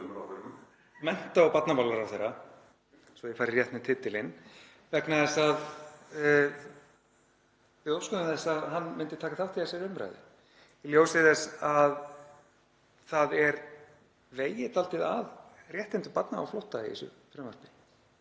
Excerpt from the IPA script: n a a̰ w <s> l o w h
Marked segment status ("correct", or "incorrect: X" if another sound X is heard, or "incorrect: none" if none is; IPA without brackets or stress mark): incorrect: f